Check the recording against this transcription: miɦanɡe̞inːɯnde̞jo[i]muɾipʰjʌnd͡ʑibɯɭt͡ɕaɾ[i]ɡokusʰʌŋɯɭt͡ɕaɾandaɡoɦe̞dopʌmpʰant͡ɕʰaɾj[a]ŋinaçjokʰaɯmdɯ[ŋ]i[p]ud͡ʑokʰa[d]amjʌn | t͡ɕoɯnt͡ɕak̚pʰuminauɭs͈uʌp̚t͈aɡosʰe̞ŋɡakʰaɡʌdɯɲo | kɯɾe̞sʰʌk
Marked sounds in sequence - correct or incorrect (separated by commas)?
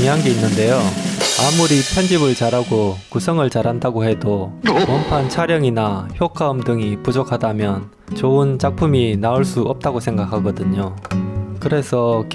incorrect, incorrect, incorrect, correct, correct, correct